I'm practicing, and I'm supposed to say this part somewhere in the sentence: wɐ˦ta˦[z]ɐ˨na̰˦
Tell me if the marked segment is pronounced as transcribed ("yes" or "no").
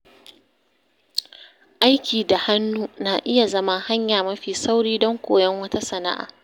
no